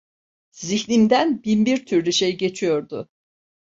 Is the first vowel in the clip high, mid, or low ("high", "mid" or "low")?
high